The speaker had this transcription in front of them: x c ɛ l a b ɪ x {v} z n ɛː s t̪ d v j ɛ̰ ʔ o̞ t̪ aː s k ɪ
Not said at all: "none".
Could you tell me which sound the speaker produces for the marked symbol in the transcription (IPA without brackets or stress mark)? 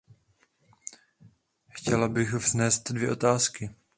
v